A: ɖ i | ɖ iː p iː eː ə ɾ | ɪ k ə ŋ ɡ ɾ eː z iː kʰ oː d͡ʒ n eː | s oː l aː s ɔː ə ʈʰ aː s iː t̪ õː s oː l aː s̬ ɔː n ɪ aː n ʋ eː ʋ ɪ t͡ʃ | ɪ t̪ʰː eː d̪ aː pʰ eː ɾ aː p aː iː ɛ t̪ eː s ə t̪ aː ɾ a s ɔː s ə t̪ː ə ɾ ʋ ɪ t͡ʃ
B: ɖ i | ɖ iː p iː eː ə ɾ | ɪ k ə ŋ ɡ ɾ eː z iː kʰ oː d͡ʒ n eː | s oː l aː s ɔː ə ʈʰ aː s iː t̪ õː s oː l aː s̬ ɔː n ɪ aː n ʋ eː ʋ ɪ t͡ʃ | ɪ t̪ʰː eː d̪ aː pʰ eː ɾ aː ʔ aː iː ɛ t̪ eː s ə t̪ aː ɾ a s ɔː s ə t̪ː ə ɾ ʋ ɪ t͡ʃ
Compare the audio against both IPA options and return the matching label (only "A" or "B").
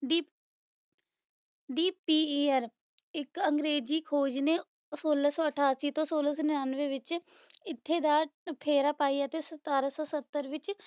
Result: A